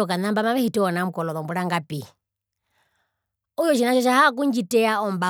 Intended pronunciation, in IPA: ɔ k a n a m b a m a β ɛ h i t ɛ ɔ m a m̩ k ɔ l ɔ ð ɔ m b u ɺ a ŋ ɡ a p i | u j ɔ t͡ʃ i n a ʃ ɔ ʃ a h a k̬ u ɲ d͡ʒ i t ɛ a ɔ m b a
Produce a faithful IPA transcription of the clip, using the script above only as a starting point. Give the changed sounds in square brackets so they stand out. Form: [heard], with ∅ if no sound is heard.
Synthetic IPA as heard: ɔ k a n a m b a m a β ɛ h i t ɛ ɔ [n] a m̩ k ɔ l ɔ ð ɔ m b u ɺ a ŋ ɡ a p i | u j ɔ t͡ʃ i n a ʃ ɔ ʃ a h a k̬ u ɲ d͡ʒ i t ɛ a ɔ m b a

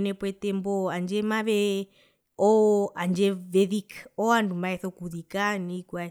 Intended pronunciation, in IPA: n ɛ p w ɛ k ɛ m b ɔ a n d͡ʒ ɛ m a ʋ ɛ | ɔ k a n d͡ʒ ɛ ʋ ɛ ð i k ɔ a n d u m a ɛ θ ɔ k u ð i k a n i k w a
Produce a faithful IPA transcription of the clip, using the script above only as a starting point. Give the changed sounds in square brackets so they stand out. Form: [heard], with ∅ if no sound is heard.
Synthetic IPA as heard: n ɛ p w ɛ [t] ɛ m b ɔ a n d͡ʒ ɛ m a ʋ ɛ | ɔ [∅] a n d͡ʒ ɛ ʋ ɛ ð i k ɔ a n d u m a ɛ θ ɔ k u ð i k a n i k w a

